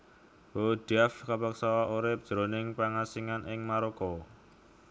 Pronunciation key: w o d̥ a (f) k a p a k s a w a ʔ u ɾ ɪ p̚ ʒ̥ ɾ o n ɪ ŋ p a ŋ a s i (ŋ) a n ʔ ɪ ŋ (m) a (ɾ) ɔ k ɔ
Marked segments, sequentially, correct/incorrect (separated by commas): correct, correct, correct, correct